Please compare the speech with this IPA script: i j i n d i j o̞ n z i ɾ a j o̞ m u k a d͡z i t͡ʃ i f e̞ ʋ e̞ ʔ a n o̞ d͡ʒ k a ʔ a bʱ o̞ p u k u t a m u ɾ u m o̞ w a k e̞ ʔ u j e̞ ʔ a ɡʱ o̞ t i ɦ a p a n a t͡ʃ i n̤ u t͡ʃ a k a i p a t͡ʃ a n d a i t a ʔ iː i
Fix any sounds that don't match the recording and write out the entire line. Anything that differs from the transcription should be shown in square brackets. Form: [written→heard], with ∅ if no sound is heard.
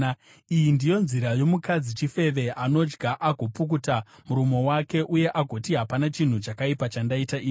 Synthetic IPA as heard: i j i n d i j o̞ n z i ɾ a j o̞ m u k a d͡z i t͡ʃ i f e̞ ʋ e̞ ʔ a n o̞ d͡ʒ [k→ɡ] a ʔ a [bʱ→ɡʱ] o̞ p u k u t a m u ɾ u m o̞ w a k e̞ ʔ u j e̞ ʔ a ɡʱ o̞ t i ɦ a p a n a t͡ʃ i n̤ u t͡ʃ a k a i p a t͡ʃ a n d a i t a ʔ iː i